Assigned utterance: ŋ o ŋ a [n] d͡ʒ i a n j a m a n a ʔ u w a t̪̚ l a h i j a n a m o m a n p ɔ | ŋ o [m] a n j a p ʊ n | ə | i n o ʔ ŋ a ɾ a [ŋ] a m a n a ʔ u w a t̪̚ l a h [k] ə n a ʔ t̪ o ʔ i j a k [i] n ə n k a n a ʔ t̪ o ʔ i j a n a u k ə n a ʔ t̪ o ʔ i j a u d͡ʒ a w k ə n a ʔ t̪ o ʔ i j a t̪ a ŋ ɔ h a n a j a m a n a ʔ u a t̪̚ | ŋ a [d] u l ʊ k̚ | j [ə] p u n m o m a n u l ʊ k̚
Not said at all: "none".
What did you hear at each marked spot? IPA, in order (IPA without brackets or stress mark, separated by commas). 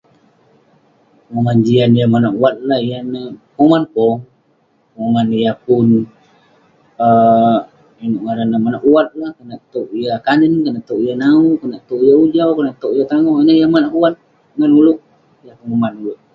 n, ŋ, n, k, a, n, a